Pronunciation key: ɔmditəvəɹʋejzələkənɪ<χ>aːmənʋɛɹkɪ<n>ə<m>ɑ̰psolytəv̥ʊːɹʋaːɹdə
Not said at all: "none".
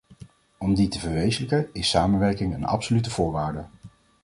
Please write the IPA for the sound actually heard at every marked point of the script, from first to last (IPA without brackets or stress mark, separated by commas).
s, ŋ, n